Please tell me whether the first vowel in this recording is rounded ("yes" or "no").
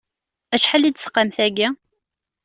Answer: no